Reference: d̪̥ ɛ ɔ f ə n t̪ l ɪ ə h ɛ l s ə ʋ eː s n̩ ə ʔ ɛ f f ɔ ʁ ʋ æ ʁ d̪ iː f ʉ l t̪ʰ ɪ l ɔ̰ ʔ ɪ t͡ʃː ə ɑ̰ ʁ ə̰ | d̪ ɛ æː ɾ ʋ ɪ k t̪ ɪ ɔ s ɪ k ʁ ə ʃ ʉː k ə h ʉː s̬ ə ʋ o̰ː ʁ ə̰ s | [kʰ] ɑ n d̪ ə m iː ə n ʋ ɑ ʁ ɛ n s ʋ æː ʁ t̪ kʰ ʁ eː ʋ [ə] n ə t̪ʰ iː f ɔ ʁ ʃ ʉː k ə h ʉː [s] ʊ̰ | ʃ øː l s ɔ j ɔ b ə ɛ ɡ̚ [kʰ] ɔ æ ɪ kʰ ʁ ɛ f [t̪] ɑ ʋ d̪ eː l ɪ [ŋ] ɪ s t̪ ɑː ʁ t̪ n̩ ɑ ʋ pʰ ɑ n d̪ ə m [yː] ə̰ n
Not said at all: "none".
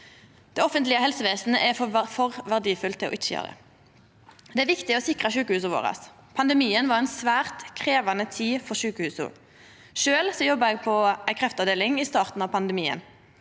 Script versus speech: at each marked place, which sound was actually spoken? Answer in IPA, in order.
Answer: pʰ, ɑ, s, pʰ, t̪, ŋ, iː

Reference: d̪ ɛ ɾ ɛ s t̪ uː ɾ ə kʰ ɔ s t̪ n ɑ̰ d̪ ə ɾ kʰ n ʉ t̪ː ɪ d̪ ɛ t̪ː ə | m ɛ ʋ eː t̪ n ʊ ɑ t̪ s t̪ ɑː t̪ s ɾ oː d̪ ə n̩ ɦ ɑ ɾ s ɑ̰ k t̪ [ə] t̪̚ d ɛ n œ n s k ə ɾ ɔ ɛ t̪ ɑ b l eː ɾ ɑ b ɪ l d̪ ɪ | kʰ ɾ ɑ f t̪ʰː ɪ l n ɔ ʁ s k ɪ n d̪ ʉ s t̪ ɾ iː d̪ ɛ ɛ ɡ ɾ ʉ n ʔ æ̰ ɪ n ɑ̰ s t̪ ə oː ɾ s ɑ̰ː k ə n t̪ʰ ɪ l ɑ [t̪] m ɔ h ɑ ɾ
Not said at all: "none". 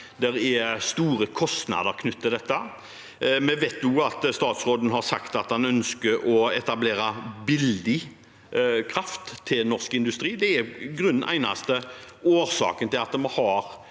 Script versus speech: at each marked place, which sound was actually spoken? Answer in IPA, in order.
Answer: ɑ, t̪

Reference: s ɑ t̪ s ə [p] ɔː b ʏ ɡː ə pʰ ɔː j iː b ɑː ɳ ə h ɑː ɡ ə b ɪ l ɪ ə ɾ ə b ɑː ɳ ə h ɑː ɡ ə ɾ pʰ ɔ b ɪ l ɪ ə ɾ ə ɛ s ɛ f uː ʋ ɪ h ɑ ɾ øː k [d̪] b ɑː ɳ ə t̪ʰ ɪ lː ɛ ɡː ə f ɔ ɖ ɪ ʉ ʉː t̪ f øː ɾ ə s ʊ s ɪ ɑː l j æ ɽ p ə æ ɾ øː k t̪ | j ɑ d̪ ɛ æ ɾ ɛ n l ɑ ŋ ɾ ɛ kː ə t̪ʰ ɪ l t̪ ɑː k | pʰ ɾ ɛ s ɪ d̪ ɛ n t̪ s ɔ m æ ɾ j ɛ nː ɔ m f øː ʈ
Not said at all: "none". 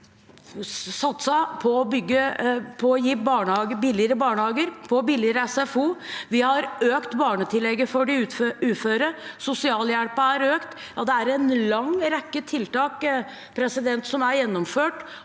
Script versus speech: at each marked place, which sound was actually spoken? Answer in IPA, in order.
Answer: pʰ, t̪

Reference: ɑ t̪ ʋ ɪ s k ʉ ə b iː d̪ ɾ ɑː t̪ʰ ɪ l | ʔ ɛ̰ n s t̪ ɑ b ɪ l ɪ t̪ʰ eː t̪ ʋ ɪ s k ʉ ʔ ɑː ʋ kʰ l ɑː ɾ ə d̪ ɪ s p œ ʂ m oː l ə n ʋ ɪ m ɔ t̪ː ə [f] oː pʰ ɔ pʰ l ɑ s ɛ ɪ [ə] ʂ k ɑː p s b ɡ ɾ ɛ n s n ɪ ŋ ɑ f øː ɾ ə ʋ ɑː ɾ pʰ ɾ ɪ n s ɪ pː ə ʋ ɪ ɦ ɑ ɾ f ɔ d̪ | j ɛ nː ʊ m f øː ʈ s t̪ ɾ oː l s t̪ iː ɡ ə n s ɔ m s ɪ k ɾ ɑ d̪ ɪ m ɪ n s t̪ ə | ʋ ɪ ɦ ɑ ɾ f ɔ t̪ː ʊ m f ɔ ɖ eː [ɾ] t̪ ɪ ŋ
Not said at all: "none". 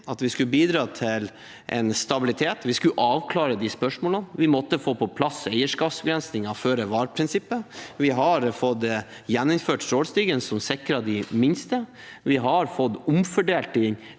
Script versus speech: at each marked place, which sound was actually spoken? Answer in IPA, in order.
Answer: f, ə, l

